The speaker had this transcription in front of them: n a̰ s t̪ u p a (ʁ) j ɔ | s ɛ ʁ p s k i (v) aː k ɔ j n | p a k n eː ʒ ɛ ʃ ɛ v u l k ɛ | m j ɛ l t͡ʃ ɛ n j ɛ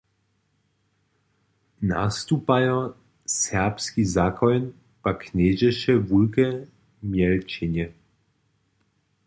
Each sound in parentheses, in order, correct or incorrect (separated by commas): incorrect, incorrect